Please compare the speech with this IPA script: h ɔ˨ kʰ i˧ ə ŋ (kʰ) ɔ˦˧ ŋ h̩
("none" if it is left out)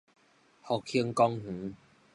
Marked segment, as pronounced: k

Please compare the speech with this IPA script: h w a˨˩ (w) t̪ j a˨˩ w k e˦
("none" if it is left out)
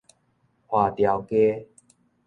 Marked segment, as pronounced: none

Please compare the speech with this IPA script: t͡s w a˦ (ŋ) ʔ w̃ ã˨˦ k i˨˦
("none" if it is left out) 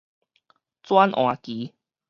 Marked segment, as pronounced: n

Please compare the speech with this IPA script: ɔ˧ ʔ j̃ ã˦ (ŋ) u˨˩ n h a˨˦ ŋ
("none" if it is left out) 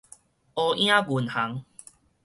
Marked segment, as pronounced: ɡ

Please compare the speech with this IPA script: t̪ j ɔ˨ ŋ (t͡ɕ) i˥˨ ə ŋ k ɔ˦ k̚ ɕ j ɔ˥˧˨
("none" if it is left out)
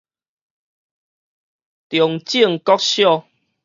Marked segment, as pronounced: t͡ɕ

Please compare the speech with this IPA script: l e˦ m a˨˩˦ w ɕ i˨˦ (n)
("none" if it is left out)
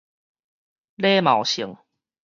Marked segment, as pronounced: ŋ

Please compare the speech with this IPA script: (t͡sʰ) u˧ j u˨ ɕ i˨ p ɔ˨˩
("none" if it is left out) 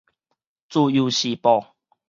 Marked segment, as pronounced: t͡s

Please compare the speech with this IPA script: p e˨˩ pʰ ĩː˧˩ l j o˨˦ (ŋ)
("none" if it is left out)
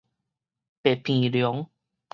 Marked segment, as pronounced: ŋ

